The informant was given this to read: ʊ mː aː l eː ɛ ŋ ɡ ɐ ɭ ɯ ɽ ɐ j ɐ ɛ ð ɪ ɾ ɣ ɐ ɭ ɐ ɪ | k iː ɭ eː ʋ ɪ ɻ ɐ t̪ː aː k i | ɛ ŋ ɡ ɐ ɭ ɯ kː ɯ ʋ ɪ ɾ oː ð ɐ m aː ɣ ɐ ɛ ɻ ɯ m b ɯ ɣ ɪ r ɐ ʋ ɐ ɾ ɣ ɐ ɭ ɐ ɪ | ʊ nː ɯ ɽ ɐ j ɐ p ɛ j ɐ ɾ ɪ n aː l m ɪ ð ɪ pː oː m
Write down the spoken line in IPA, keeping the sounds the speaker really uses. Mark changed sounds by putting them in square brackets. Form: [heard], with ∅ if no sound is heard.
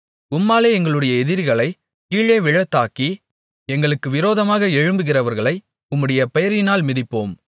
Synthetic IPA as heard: ʊ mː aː l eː ɛ ŋ ɡ ɐ ɭ ɯ ɽ ɐ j ɐ ɛ ð ɪ ɾ ɣ ɐ ɭ ɐ ɪ | k iː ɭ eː ʋ ɪ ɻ ɐ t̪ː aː k i | ɛ ŋ ɡ ɐ ɭ ɯ kː ɯ ʋ ɪ ɾ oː ð ɐ m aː ɣ ɐ ɛ ɻ ɯ m b ɯ ɣ ɪ r ɐ ʋ ɐ ɾ ɣ ɐ ɭ ɐ ɪ | ʊ [mː] ɯ ɽ ɐ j ɐ p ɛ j ɐ ɾ ɪ n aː l m ɪ ð ɪ pː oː m